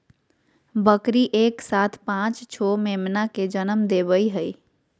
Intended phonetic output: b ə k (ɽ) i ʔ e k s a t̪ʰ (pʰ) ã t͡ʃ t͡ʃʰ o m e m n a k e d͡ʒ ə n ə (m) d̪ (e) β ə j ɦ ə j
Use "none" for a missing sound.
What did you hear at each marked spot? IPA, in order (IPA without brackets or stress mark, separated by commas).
ɾ, p, m, e